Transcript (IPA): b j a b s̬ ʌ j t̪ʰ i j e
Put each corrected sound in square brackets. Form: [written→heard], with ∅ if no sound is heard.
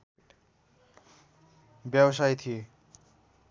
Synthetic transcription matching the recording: b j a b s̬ [ʌ→a] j t̪ʰ i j e

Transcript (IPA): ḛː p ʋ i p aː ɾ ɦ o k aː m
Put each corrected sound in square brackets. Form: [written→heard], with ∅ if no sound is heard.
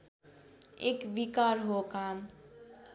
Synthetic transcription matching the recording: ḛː [p→k] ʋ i [p→k] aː ɾ ɦ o k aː m

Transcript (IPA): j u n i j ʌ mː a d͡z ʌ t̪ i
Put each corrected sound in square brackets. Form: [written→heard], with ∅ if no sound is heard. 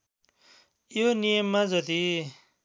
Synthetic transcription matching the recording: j [u→o] n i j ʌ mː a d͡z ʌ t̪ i

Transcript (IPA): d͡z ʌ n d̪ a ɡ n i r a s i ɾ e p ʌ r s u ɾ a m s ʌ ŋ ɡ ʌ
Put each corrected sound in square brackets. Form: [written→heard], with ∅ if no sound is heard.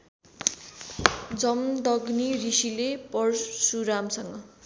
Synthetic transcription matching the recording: d͡z ʌ [n→m] d̪ [a→ʌ] ɡ n i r [a→i] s i [ɾ→l] e p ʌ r s u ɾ a m s ʌ ŋ ɡ ʌ

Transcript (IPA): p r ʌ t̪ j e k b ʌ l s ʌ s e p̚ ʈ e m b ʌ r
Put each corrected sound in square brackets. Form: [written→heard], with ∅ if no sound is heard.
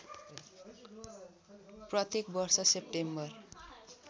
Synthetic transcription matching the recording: p r ʌ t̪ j e k b ʌ [l→r] s ʌ s e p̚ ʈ e m b ʌ r

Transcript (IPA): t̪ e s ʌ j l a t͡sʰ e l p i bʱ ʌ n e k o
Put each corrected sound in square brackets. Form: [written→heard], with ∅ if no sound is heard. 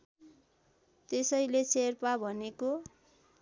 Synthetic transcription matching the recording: t̪ e s ʌ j l [a→e] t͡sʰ e [l→r] p [i→a] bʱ ʌ n e k o

